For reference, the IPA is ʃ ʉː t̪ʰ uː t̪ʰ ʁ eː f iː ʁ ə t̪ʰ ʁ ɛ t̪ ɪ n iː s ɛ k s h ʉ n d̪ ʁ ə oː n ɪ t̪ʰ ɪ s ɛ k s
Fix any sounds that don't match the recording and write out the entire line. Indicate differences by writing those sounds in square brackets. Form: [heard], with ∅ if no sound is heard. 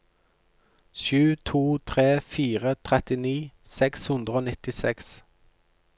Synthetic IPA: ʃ ʉː t̪ʰ uː t̪ʰ ʁ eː f iː ʁ ə t̪ʰ ʁ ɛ t̪ ɪ n iː s ɛ k s h ʉ n d̪ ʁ ə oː n ɪ [t̪] ɪ s ɛ k s